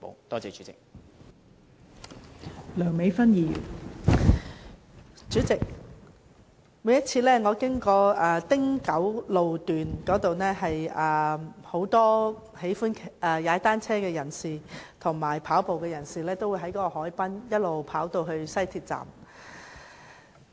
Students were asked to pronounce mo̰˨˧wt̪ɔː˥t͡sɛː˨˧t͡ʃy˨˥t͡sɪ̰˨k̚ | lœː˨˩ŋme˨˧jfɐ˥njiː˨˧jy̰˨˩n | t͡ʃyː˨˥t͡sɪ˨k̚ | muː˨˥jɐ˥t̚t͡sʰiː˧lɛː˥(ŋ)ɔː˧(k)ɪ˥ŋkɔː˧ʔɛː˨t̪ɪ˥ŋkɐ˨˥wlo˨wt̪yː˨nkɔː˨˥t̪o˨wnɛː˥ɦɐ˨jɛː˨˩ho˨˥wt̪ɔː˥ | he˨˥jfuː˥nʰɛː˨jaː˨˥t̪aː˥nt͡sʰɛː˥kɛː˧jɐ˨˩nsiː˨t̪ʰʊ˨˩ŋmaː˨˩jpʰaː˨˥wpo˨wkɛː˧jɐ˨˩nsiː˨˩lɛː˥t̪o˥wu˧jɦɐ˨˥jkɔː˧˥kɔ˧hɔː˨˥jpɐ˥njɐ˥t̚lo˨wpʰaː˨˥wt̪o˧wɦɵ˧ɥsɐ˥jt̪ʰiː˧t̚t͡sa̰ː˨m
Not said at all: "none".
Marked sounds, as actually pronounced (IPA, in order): ŋ, k

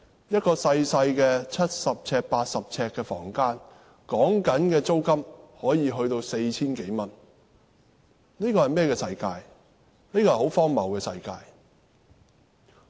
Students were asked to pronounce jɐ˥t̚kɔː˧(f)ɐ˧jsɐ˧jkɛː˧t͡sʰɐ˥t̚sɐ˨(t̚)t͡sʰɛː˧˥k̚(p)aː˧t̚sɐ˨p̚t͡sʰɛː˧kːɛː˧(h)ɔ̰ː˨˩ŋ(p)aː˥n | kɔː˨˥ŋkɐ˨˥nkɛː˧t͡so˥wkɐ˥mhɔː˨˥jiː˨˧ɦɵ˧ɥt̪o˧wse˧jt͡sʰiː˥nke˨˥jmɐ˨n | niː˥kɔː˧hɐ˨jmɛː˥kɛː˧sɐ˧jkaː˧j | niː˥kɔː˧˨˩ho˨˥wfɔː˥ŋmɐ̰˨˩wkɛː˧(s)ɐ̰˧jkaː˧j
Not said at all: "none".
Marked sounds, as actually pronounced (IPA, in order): s, p̚, p, f, k, s

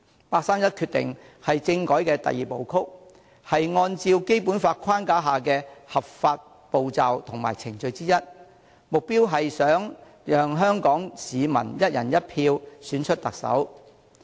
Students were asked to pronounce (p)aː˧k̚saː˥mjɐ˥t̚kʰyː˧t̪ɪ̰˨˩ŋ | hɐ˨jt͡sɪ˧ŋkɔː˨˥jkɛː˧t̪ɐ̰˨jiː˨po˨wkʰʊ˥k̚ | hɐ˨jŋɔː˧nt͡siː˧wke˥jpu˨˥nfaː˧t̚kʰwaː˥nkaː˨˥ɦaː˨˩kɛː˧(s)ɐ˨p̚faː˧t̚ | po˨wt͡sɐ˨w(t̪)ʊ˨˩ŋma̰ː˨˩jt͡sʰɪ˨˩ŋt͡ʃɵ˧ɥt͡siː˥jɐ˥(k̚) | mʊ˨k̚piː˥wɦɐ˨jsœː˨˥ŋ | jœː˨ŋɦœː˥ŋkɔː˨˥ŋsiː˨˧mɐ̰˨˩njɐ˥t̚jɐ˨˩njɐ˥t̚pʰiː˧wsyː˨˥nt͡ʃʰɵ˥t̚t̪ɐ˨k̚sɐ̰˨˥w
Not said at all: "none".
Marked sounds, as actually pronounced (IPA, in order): p, h, t̪ʰ, t̚

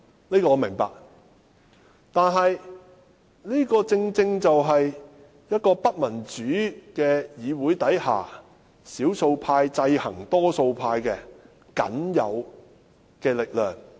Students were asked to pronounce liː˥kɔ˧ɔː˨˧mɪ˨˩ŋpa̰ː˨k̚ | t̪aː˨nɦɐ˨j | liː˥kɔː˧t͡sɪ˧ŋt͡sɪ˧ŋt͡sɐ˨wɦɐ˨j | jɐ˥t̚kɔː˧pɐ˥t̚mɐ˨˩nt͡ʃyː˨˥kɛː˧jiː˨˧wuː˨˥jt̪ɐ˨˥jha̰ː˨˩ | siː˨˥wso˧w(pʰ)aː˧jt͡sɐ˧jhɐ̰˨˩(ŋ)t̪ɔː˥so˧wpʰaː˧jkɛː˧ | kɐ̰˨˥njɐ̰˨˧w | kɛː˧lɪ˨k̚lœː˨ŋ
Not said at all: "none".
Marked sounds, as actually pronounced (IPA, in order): pʰ, ŋ

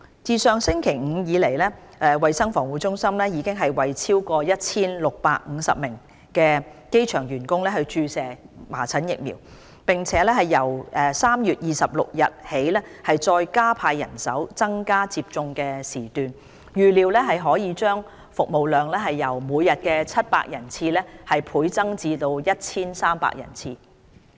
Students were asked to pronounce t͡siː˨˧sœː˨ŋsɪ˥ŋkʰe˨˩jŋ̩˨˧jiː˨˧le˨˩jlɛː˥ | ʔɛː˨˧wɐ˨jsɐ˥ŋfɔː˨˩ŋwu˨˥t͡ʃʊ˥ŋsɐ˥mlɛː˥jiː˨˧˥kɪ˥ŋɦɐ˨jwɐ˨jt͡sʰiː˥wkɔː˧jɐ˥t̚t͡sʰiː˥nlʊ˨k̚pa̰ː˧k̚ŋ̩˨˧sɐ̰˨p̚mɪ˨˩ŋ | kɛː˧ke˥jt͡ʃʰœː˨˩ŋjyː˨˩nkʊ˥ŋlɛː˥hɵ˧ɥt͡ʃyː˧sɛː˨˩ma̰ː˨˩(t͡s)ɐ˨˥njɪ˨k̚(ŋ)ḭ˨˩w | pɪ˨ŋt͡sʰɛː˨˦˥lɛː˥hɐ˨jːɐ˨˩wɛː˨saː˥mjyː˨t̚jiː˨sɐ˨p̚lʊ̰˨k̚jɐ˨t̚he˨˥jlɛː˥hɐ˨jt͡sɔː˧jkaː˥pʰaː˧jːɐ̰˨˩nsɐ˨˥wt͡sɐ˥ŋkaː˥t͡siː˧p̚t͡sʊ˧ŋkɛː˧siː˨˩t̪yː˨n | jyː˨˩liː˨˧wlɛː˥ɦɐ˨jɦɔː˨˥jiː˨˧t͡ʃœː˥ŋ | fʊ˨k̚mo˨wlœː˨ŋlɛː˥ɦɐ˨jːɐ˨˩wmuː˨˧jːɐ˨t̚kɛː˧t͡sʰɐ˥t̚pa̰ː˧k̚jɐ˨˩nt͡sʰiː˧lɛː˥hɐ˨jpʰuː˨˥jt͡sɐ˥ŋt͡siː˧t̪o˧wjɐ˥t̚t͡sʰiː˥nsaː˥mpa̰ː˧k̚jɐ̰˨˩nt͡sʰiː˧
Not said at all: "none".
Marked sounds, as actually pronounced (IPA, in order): t͡sʰ, m

